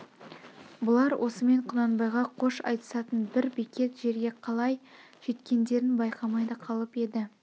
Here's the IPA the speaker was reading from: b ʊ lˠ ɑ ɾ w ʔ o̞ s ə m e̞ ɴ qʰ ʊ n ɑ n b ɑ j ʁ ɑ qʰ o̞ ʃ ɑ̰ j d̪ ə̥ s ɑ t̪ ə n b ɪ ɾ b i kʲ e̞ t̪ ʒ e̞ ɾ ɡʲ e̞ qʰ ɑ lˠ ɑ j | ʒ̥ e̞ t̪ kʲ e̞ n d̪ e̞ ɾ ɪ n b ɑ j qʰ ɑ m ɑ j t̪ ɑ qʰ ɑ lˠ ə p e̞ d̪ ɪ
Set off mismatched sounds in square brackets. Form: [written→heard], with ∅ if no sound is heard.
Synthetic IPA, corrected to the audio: b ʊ lˠ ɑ ɾ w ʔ o̞ s ə m e̞ ɴ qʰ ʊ n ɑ n b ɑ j ʁ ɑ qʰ o̞ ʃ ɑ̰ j [d̪→t̪] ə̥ s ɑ t̪ ə n b ɪ ɾ b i kʲ e̞ t̪ ʒ e̞ ɾ ɡʲ e̞ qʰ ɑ lˠ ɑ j | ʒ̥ e̞ t̪ kʲ e̞ n d̪ e̞ ɾ ɪ n b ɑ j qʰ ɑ m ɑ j [t̪→d̪] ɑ qʰ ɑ lˠ ə p e̞ d̪ ɪ